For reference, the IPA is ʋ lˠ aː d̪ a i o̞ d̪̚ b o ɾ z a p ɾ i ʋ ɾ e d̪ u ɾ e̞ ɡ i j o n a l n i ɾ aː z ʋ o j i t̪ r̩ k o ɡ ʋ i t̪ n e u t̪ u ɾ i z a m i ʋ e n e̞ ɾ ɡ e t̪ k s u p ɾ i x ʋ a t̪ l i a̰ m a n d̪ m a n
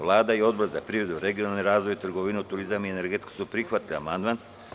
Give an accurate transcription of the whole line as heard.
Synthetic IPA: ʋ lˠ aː d̪ a i o̞ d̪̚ b o ɾ z a p ɾ i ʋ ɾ e d̪ u ɾ e̞ ɡ i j o n a l n i ɾ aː z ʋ o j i t̪ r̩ ɡ o ʋ i n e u t̪ u ɾ i z a m i e n e̞ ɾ ɡ e t̪ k s u p ɾ i x ʋ a t̪ l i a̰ m a n d̪ m a n